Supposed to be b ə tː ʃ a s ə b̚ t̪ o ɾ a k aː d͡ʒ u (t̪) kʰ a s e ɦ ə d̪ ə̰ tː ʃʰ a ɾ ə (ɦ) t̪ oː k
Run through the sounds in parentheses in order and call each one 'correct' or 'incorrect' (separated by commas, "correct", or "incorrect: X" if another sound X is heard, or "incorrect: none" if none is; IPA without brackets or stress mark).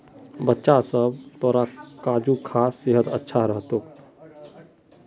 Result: incorrect: none, correct